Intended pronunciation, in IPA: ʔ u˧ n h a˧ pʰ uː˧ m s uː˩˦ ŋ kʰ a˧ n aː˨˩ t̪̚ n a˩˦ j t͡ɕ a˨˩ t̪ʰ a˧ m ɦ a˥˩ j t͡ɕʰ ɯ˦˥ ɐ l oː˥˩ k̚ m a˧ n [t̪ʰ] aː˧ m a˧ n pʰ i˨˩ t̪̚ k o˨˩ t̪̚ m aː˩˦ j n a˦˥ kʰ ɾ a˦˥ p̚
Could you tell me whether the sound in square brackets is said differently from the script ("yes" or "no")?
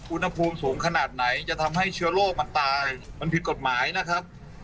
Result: yes